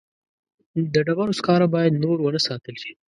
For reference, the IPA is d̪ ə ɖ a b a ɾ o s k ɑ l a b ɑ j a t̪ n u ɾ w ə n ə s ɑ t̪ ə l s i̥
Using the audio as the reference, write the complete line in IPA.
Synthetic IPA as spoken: d̪ ə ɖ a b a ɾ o s k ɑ ɾ a b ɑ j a d̪ n o ɾ w ə n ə s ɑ t̪ ə l ʃ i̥